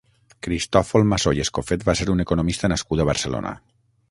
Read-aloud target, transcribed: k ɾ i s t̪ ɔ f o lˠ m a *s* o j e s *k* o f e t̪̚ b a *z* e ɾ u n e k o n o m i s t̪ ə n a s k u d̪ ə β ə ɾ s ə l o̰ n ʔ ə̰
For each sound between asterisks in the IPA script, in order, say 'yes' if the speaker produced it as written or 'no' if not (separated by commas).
yes, yes, no